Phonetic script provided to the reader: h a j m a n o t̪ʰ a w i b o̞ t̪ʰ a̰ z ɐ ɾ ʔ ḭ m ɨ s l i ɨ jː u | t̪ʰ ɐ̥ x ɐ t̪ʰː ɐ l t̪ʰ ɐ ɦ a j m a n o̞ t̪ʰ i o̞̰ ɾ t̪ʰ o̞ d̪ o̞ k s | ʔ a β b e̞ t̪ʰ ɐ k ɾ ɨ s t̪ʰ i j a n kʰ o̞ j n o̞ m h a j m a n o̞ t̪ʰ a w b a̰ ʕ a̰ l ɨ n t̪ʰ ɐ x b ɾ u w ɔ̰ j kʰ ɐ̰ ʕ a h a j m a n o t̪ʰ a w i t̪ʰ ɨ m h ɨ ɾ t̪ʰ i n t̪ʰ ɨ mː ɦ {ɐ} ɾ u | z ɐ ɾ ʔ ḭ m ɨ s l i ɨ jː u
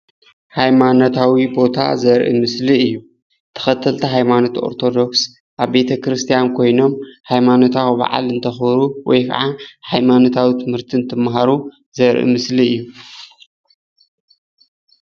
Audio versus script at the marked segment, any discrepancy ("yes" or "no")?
yes